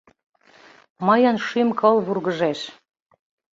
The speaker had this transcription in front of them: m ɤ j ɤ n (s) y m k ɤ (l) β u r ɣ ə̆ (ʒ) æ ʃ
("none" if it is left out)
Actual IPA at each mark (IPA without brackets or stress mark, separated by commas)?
ʃ, l, ʒ